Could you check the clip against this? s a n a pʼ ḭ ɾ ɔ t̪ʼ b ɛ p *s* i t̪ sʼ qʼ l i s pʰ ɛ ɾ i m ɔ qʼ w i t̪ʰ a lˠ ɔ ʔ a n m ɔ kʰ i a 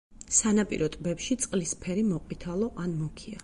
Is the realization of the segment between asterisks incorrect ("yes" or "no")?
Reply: yes